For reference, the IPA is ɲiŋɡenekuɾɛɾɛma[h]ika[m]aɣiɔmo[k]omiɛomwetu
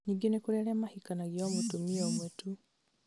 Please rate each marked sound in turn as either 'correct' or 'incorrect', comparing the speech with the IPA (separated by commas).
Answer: correct, incorrect, incorrect